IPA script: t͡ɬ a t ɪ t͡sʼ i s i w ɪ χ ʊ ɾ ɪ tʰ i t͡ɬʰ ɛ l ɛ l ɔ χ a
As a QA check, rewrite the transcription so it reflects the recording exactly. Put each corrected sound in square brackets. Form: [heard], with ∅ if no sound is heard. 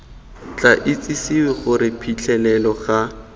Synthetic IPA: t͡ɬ a [ʔ] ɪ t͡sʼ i s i w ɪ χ ʊ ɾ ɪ [pʰ] i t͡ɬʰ ɛ l ɛ l ɔ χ a

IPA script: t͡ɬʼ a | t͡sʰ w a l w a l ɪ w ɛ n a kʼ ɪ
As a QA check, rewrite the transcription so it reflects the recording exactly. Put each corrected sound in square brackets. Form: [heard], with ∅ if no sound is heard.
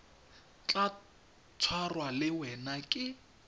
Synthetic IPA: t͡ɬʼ a | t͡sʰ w a [r] w a l ɪ w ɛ n a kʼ ɪ

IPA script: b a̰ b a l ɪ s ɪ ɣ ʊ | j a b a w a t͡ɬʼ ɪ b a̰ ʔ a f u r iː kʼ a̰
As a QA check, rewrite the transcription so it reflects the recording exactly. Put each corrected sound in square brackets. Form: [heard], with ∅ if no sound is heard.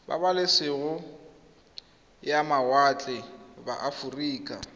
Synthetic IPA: b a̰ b a l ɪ s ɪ ɣ ʊ | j a [m] a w a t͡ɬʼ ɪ b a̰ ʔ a f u r iː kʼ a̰

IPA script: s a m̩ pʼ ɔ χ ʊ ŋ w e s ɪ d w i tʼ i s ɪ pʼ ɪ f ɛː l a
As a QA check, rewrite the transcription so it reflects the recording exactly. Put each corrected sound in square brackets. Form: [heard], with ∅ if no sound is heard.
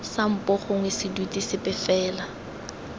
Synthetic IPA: s a m̩ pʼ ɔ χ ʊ ŋ w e s ɪ d w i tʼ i s ɪ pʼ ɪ f ɛː l a

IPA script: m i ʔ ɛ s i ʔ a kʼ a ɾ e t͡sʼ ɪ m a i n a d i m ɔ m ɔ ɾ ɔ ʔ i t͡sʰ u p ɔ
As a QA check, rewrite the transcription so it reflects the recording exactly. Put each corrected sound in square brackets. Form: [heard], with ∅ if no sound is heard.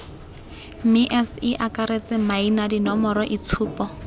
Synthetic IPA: m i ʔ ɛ s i ʔ a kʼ a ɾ e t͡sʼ ɪ m a i n a d i [n] ɔ m ɔ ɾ ɔ ʔ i t͡sʰ [uː] p ɔ

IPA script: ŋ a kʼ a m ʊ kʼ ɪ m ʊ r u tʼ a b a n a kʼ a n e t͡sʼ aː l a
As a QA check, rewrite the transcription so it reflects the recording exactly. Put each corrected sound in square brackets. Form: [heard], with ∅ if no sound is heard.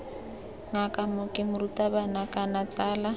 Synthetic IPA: ŋ a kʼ a m ʊ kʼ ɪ m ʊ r u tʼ a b a n a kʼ a n [a] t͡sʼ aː l a

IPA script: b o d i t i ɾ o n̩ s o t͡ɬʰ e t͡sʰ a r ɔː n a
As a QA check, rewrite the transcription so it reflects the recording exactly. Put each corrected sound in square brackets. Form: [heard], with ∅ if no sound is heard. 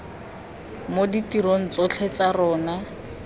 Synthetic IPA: [m] o d i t i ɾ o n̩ [t͡s] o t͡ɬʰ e [t͡s] a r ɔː n a

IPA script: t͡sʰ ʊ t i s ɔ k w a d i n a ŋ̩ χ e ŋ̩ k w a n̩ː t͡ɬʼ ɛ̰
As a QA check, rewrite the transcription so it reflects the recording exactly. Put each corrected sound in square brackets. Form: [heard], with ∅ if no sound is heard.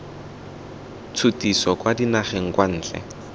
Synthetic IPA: t͡sʰ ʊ t i s ɔ k w a d i n a [∅] χ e ŋ̩ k w a n̩ː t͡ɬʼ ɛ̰

